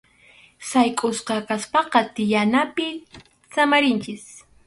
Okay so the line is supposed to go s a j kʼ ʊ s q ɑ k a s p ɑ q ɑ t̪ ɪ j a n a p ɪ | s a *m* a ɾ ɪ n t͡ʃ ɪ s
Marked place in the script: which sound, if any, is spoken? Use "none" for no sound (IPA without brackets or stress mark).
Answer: m